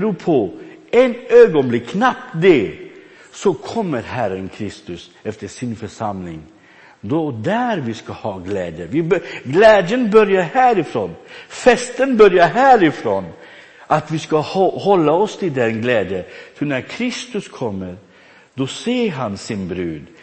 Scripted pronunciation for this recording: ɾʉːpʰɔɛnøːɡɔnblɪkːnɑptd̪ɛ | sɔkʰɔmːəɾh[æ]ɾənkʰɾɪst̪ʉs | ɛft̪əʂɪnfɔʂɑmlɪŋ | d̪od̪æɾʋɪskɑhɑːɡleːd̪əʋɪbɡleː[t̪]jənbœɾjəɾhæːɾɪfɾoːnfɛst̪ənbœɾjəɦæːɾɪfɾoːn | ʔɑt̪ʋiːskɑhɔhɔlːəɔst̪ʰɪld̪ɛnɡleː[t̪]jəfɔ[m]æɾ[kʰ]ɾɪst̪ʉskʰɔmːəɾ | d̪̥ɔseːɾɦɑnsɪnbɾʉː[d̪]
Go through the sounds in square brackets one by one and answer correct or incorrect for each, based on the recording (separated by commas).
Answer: correct, incorrect, incorrect, incorrect, correct, correct